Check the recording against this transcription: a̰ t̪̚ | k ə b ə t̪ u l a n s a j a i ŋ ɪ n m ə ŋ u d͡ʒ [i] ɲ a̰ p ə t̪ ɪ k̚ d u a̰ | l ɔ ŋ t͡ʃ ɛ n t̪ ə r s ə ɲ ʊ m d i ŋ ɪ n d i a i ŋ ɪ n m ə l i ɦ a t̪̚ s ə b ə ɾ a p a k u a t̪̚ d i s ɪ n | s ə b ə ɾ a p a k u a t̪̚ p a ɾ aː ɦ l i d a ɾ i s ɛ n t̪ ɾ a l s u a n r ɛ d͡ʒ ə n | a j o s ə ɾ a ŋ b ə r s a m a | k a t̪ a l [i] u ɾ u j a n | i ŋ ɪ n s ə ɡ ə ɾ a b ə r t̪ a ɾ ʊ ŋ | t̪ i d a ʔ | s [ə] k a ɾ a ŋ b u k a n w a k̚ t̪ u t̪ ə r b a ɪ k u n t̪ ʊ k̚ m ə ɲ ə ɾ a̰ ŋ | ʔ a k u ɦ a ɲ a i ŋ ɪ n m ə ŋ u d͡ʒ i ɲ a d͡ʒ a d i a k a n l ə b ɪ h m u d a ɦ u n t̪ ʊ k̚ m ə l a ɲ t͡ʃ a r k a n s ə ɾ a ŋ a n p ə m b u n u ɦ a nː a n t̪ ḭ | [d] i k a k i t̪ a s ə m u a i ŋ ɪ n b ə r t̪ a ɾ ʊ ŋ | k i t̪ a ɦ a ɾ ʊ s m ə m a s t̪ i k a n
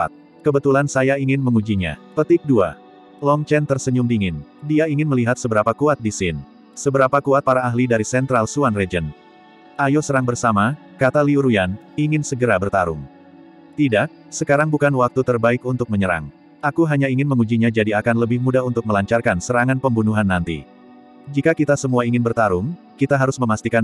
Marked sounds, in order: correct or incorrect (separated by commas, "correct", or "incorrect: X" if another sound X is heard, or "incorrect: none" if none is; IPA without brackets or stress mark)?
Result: correct, correct, correct, incorrect: d͡ʒ